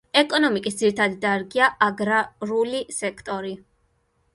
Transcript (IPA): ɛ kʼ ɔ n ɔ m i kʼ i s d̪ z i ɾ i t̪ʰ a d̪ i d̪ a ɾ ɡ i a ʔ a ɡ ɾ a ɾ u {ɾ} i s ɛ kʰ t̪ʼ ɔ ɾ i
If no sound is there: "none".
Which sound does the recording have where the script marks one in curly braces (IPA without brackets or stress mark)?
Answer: l